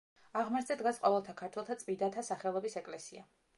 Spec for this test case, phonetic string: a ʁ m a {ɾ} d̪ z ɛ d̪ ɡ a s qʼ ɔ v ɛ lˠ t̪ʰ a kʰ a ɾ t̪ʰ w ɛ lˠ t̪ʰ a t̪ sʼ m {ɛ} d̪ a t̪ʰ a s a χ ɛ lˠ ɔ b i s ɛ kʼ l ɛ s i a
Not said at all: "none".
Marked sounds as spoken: ɾ, i

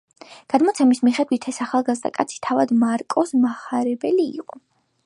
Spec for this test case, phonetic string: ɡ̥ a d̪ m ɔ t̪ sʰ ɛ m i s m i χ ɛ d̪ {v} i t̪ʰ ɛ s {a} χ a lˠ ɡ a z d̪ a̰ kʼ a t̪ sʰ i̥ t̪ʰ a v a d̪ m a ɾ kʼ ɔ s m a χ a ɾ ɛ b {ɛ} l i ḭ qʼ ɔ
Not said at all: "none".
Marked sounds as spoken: w, a, ɛ

